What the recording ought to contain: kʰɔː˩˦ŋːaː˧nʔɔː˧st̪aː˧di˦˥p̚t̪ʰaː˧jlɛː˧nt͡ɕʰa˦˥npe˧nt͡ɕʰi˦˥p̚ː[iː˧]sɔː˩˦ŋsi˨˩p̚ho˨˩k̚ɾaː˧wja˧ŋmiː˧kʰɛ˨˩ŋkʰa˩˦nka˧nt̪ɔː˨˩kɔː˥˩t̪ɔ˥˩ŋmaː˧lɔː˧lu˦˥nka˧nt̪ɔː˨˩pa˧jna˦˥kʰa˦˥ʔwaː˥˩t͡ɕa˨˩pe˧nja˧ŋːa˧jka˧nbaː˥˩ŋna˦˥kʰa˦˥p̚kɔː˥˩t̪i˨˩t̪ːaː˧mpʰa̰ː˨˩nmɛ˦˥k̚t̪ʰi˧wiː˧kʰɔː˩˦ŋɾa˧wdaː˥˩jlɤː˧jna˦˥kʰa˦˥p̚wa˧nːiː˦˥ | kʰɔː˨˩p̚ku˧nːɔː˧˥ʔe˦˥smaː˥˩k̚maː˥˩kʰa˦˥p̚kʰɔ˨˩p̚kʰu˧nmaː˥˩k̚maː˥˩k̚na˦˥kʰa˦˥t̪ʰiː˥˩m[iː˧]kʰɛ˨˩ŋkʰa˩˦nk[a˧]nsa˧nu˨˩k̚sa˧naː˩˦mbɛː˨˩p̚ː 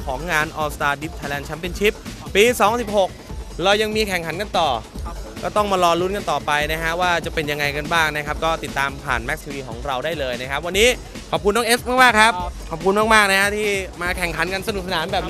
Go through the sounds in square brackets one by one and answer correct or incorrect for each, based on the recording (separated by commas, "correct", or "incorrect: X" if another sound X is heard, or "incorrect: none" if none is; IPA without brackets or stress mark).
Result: correct, incorrect: aː˧, correct